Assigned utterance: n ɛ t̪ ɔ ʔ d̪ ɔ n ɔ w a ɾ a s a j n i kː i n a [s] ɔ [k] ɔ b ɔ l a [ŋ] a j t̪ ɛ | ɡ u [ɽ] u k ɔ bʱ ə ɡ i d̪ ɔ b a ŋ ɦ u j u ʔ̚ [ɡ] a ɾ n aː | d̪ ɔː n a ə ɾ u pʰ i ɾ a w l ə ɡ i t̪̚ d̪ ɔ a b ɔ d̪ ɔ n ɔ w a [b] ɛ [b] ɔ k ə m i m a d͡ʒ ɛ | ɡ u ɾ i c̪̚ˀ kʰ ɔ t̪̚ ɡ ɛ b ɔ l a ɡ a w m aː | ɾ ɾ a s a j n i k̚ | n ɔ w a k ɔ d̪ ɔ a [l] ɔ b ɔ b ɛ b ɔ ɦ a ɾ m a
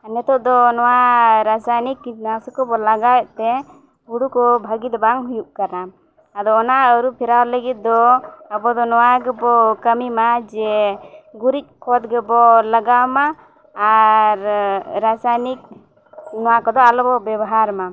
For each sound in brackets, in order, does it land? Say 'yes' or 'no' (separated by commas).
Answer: yes, yes, no, yes, no, no, yes, yes